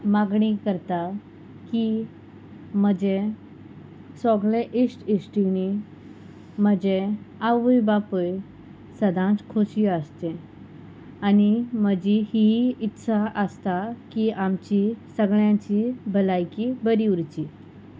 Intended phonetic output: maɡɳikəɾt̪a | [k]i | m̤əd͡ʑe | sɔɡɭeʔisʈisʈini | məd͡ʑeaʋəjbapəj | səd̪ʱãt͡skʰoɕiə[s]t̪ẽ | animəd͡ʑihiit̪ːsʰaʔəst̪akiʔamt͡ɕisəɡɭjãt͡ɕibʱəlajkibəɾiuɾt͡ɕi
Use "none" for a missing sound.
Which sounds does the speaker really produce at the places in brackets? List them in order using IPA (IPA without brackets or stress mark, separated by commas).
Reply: k, s